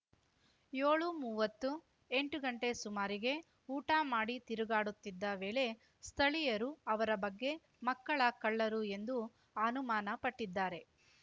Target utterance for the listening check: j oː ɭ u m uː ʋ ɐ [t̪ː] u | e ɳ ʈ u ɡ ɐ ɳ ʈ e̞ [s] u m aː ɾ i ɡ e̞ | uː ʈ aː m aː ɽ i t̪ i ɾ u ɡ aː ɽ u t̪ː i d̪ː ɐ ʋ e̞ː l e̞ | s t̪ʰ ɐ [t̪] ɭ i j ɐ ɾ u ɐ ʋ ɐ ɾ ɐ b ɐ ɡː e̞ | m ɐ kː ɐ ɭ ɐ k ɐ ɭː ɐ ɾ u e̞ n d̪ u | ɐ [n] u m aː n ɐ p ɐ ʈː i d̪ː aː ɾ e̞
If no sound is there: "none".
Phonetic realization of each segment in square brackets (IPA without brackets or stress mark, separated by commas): t̪ː, s, none, n